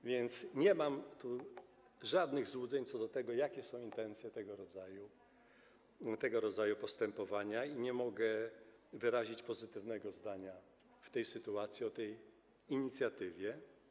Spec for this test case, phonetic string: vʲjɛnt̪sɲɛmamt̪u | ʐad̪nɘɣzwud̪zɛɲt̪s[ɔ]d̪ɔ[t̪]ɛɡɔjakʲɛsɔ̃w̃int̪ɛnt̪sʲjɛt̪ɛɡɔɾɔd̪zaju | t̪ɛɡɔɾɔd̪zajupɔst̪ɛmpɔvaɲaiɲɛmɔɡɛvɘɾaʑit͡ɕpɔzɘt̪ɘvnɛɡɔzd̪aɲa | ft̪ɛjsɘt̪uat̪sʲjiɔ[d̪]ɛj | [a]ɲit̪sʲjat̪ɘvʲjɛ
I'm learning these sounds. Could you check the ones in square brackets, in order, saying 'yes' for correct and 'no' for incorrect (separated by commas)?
yes, yes, no, no